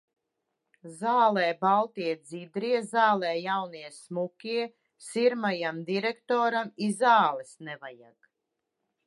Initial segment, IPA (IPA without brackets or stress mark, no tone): z